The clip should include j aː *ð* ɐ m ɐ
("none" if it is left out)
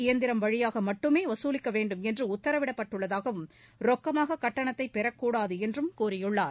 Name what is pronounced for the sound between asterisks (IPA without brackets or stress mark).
ɣ